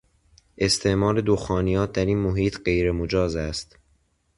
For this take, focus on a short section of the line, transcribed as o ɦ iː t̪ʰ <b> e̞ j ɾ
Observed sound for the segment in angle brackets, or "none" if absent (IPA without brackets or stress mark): ɢ